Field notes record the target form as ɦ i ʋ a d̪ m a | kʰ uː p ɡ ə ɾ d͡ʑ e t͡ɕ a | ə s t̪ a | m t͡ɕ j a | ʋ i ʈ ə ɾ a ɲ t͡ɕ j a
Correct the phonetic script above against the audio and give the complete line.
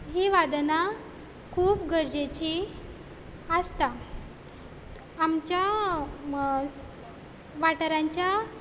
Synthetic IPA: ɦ i ʋ a d̪ n a | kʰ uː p ɡ ə ɾ d͡ʑ e t͡ɕ i | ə s t̪ a | m t͡ɕ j a | ʋ a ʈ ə ɾ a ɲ t͡ɕ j a

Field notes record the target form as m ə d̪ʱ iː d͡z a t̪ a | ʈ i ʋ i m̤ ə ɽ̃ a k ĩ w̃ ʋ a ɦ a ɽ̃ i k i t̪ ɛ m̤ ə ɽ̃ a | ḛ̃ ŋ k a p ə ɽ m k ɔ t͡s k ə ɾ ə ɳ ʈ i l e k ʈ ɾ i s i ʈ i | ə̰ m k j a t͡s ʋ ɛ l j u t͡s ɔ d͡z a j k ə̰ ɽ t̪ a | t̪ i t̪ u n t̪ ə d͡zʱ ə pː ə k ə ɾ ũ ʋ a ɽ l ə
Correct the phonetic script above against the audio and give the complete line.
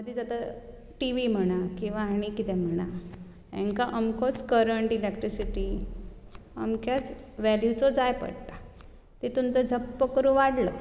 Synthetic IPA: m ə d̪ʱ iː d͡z a t̪ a | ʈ i ʋ i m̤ ə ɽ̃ a k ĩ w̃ ʋ a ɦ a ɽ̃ i k i t̪ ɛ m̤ ə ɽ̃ a | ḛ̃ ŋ k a ʔ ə m k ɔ t͡s k ə ɾ ə ɳ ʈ i l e k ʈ ɾ i s i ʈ i | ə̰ m k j a t͡s ʋ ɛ l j u t͡s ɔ d͡z a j p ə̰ ɽ t̪ a | t̪ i t̪ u n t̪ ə d͡zʱ ə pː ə k ə ɾ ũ ʋ a ɽ l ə

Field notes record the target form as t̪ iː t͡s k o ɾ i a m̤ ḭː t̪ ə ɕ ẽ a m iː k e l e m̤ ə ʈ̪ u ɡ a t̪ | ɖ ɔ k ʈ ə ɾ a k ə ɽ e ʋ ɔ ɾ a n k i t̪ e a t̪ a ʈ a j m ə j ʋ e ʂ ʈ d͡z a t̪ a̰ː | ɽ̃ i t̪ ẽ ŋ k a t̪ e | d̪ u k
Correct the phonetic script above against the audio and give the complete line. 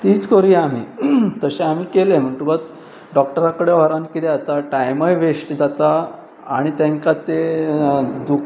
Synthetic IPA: t̪ iː t͡s k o ɾ i a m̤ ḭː t̪ ə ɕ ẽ a m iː k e l e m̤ ə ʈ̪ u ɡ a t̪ | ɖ ɔ k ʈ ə ɾ a k ə ɽ e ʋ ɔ ɾ a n k i t̪ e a t̪ a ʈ a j m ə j ʋ e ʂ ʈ d͡z a t̪ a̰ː | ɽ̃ i t̪ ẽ ŋ k a t̪ e | d̪ u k

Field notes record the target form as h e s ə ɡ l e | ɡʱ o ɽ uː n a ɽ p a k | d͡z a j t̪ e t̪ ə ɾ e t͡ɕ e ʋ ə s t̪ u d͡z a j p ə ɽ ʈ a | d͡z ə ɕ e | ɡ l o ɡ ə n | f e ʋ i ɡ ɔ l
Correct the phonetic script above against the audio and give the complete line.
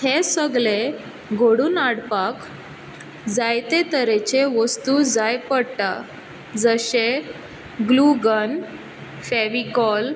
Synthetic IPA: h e s ə ɡ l e | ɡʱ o ɽ uː n a ɽ p a k | d͡z a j t̪ e t̪ ə ɾ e t͡ɕ e ʋ ə s t̪ u d͡z a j p ə ɽ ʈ a | d͡z ə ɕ e | ɡ l u ɡ ə n | f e ʋ i k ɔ l

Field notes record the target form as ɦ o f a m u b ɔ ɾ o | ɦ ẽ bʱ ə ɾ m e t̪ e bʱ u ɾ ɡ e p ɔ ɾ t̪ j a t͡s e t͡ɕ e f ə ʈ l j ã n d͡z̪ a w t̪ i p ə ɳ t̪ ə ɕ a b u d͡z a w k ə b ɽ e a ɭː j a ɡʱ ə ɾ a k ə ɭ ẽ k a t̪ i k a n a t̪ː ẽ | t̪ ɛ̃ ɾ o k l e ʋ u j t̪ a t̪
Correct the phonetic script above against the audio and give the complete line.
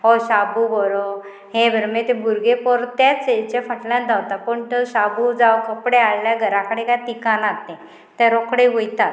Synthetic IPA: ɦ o ɕ a b u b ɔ ɾ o | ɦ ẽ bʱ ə ɾ m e t̪ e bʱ u ɾ ɡ e p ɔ ɾ t̪ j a t͡s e t͡ɕ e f ə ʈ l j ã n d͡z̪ a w t̪ a p ə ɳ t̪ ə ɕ a b u d͡z a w k ə p ɽ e a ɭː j a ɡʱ ə ɾ a k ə ɽ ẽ k a t̪ i k a n a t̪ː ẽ | t̪ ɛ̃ ɾ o k ɽ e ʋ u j t̪ a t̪

